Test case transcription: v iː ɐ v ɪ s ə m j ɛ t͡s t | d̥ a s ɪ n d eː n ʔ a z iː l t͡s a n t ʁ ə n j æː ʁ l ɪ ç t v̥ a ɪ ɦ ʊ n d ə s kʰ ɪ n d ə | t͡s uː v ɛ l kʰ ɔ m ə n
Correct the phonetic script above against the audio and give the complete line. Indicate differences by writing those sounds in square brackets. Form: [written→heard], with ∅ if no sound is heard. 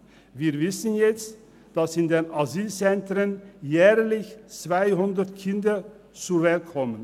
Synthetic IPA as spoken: v iː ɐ v ɪ s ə [m→n] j ɛ t͡s t | d̥ a s ɪ n d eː n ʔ a z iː l t͡s [a→ɛ] n t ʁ ə n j [æː→ɛː] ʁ l ɪ ç [t→t͡s] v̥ a ɪ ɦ ʊ n d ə [s→t] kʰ ɪ n d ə | t͡s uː v ɛ l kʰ ɔ m ə n